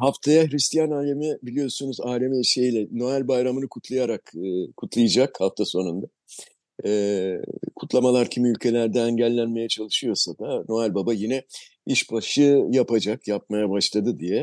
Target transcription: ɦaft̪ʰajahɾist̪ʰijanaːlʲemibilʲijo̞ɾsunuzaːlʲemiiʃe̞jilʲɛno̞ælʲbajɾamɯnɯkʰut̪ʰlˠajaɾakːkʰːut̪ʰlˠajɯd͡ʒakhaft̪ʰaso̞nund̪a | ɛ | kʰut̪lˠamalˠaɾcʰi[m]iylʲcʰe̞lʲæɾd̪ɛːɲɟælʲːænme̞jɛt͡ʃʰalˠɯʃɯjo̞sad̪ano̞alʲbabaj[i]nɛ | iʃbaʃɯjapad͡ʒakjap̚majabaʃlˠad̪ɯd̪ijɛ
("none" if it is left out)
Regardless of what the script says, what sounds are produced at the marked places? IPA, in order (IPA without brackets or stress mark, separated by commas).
m, i